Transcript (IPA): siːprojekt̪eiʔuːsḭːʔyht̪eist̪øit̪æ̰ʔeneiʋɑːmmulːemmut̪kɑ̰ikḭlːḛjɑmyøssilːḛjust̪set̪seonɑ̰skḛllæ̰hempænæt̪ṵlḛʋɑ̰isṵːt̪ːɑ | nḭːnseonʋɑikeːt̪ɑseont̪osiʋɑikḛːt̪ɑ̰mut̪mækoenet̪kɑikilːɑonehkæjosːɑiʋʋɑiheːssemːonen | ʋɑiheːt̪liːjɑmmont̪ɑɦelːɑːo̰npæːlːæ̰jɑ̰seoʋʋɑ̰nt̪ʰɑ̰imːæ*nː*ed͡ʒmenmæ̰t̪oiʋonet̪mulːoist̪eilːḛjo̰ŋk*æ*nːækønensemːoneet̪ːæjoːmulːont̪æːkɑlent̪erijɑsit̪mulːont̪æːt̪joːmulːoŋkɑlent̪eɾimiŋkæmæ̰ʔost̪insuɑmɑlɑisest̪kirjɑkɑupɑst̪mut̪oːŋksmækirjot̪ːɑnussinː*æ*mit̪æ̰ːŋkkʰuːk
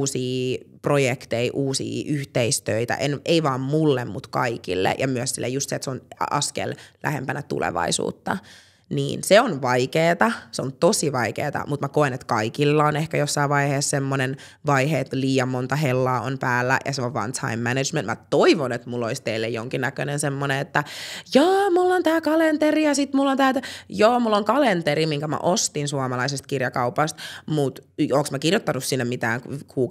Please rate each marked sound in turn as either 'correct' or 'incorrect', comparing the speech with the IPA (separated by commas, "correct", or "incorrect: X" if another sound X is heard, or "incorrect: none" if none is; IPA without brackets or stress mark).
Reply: incorrect: n, incorrect: i, incorrect: e